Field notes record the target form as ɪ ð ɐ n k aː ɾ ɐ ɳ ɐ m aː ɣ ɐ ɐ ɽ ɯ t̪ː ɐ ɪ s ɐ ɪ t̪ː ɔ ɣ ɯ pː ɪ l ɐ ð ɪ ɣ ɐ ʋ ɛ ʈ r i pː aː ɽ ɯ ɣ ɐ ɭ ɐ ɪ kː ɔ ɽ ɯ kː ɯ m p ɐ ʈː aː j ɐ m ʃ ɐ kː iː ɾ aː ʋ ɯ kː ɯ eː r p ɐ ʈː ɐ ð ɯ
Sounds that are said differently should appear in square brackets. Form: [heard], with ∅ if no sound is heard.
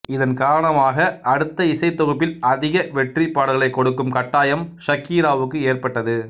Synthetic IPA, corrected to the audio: ɪ ð ɐ n k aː ɾ ɐ ɳ ɐ m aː ɣ ɐ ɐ ɽ ɯ t̪ː ɐ ɪ s ɐ ɪ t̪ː ɔ ɣ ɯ pː ɪ l ɐ ð ɪ ɣ ɐ ʋ ɛ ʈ r i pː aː ɽ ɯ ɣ ɐ ɭ ɐ ɪ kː ɔ ɽ ɯ kː ɯ m [k] ɐ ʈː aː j ɐ m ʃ ɐ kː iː ɾ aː ʋ ɯ kː ɯ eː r p ɐ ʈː ɐ ð ɯ